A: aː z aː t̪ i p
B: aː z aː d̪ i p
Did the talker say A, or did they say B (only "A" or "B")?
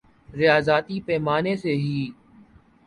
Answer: A